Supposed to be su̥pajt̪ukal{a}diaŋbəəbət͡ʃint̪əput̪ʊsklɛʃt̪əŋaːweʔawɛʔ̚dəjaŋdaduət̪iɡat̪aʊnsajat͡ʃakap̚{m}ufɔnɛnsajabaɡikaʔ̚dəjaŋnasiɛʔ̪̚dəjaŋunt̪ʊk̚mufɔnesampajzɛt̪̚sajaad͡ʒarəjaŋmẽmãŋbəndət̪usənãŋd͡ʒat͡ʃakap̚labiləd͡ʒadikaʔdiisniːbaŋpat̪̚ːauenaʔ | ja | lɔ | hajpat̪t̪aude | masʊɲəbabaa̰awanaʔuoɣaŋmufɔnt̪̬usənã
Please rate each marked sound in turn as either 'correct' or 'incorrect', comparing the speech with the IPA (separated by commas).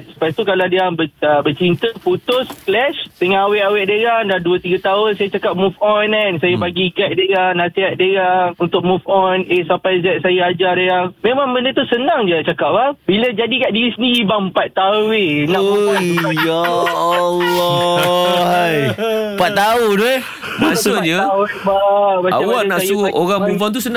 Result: correct, correct